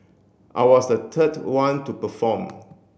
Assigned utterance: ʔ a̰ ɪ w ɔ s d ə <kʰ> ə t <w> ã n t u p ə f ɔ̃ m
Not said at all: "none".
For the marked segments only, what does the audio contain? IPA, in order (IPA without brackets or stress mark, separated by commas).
tʰ, w